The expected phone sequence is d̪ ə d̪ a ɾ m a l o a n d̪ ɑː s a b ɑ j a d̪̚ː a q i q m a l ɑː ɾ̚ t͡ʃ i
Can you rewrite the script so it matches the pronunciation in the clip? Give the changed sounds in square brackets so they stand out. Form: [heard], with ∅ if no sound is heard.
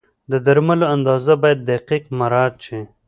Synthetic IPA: d̪ ə d̪ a ɾ m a l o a n d̪ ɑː [z] a b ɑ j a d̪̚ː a q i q m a [ɾ] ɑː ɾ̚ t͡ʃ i

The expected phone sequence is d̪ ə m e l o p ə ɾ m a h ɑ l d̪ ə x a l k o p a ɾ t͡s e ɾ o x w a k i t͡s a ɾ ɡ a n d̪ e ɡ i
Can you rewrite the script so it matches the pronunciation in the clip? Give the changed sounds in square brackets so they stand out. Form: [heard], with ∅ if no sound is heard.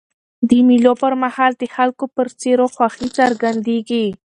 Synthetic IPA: d̪ ə m [i] l o p ə ɾ m a h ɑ l d̪ ə x a l k o p [ə] ɾ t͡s e ɾ o x w a [x] i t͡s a ɾ ɡ a n d̪ e ɡ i

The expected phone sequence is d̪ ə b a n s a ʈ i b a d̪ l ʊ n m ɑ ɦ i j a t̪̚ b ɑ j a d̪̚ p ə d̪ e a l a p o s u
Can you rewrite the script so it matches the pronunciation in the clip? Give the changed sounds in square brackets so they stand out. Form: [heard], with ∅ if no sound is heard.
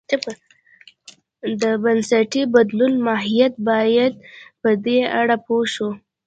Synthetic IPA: d̪ ə b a n s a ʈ i b a d̪ l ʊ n m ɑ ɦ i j a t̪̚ b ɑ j a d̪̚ p ə d̪ e a [ɽ] a p o [ʃ] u

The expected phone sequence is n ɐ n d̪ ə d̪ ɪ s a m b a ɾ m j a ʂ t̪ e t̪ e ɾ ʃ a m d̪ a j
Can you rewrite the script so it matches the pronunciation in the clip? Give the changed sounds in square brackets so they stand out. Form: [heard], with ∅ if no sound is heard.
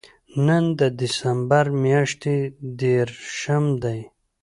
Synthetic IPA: n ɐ n d̪ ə d̪ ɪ s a m b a ɾ m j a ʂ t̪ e [d̪] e ɾ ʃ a m d̪ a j

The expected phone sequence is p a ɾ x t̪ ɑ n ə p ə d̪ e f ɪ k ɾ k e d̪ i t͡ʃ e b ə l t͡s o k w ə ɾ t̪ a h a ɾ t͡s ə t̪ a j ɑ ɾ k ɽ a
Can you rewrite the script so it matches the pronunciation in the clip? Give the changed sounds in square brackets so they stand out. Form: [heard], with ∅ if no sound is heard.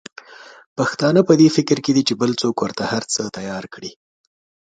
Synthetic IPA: p a [∅] x t̪ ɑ n ə p ə d̪ e f ɪ k ɾ k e d̪ i t͡ʃ e b ə l t͡s o k w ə ɾ t̪ a h a ɾ t͡s ə t̪ a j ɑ ɾ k ɽ [i]

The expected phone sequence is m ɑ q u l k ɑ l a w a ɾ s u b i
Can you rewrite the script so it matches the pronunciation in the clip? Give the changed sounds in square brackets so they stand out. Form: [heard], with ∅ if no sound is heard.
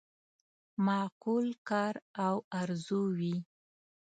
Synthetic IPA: m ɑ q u l k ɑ [ɾ] a w a ɾ [z] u [w] i

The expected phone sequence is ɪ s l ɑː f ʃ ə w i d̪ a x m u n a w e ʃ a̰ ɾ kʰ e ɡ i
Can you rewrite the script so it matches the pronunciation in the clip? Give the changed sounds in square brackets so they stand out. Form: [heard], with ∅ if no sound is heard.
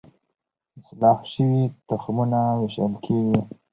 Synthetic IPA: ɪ s l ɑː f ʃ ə w i [t̪] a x m u n a w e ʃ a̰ [l] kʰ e ɡ i

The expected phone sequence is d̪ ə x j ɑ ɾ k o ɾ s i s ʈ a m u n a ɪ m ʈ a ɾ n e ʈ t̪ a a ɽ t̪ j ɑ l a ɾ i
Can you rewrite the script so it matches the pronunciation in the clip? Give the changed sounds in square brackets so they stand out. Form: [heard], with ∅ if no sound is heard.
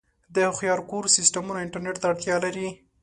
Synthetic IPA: d̪ ə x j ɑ ɾ k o ɾ s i s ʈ a m u n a ɪ [ɳ] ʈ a ɾ n e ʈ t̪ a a ɽ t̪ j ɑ l a ɾ i

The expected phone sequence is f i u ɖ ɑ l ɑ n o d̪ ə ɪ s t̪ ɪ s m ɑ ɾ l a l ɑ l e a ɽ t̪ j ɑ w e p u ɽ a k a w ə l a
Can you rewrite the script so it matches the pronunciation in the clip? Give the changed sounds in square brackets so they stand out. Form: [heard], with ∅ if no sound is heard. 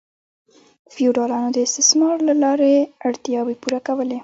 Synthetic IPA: f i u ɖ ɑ l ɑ n o d̪ ə ɪ s t̪ ɪ s m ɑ ɾ l a l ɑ [ɾ] e a ɽ t̪ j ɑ w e p u [ɾ] a k a w ə l [e]

